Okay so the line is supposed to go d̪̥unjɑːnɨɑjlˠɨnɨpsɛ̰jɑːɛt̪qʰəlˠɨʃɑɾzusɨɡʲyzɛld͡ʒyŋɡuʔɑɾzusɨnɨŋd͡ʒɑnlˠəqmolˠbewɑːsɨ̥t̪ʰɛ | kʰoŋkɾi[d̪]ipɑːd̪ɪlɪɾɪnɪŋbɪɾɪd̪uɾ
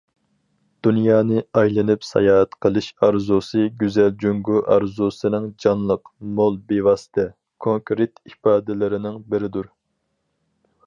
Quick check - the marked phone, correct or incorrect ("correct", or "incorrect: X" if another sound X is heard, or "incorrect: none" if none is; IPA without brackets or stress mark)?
incorrect: t̪